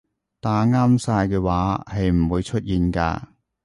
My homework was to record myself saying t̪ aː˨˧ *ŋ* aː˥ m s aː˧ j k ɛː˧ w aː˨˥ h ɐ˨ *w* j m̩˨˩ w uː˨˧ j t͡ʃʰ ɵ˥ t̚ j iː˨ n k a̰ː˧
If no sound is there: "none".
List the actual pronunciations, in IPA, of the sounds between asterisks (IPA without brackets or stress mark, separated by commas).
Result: ŋ, none